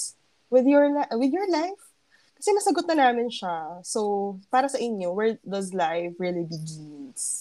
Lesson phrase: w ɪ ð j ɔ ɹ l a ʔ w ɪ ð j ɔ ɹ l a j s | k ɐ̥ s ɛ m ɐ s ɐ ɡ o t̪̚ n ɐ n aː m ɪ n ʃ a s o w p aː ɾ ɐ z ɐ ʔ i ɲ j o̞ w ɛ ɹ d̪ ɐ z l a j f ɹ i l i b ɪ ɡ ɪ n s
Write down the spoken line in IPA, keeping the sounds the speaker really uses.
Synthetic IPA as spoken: w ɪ ð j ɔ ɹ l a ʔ w ɪ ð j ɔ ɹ l a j f | k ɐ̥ s ɛ m ɐ s ɐ ɡ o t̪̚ n ɐ n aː m ɪ n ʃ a s o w p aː ɾ ɐ s ɐ ʔ ɪ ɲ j o̞ w ɛ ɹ d̪ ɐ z l a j f ɹ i l i b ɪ ɡ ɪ n s